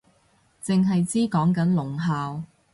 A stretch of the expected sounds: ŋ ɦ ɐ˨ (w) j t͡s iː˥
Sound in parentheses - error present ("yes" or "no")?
yes